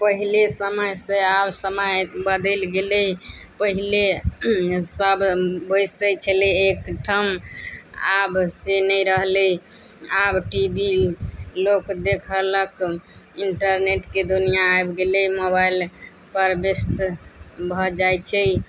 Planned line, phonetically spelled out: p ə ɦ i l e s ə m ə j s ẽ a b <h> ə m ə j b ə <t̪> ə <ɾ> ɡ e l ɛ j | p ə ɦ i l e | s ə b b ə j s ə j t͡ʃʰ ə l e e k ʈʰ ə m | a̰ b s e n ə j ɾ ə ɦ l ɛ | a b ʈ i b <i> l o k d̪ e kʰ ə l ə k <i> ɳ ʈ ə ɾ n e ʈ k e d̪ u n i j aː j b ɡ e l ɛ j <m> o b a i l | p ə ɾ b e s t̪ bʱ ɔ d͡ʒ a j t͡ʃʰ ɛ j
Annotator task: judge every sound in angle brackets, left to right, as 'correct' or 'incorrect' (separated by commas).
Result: incorrect, incorrect, incorrect, correct, correct, correct